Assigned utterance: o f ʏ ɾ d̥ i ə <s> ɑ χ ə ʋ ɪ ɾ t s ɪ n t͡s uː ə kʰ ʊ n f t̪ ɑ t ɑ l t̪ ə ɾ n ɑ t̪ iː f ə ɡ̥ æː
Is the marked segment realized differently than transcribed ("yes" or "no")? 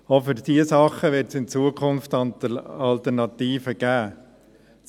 no